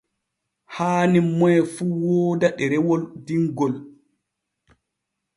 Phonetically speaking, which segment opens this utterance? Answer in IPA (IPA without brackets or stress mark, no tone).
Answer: h